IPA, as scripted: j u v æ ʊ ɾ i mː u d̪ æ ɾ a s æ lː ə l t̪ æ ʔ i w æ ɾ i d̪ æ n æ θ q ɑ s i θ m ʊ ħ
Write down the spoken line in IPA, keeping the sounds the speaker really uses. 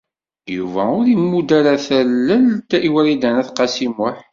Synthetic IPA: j u v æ ʊ ɾ i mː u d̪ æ ɾ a θ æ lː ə l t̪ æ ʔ i w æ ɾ i d̪ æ n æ θ q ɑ s i m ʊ ħ